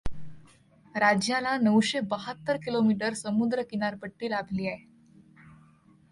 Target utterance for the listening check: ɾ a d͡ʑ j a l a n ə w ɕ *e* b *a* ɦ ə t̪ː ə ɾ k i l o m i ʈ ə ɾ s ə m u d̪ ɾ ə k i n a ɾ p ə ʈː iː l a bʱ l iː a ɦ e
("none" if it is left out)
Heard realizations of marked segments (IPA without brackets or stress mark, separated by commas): e, ə